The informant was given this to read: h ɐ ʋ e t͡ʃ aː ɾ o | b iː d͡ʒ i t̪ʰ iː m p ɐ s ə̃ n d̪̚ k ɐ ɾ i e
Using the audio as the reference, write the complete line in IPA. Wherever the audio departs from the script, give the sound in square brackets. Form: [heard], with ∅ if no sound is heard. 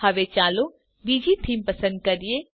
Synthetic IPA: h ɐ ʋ e t͡ʃ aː [l] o | b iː d͡ʒ i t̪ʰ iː m p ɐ s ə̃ n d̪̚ k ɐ ɾ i e